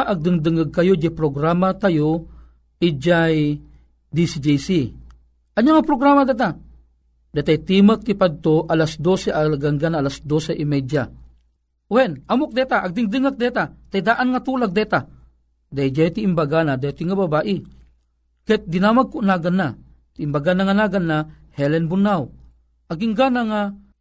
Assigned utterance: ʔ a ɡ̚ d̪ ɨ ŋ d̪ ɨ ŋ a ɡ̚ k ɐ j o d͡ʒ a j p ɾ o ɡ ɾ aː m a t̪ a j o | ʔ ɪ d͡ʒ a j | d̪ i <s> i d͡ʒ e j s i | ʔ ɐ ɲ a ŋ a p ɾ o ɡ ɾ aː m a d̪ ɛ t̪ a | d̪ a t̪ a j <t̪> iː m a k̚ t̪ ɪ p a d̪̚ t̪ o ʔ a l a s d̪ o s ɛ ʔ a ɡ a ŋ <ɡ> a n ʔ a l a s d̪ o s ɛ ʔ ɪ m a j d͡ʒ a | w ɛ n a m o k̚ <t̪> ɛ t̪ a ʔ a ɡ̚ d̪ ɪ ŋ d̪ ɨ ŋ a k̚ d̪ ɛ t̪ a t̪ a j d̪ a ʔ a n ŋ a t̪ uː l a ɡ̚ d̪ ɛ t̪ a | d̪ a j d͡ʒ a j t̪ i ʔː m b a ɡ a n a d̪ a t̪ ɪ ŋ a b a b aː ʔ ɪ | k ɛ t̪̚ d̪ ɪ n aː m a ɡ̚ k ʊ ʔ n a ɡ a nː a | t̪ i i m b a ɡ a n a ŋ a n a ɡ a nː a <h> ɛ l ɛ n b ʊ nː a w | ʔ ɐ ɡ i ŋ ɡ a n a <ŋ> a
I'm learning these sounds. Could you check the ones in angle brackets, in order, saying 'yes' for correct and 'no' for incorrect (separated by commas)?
yes, yes, yes, no, yes, yes